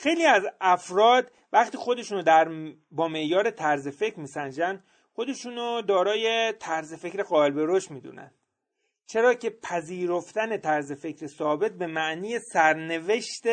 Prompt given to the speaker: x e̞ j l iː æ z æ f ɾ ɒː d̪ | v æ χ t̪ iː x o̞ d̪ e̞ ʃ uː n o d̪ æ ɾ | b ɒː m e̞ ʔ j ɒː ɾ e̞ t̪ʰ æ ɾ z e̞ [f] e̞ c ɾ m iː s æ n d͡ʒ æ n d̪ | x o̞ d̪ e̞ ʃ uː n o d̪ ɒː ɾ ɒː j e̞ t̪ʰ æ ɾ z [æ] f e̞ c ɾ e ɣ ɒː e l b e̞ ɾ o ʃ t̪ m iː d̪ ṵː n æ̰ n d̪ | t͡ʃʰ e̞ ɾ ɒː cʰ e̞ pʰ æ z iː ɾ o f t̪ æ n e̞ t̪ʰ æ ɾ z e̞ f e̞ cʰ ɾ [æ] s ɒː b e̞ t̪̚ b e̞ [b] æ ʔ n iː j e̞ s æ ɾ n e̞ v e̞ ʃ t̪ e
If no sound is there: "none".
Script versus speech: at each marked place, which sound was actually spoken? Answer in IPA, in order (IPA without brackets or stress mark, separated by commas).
f, e, e, m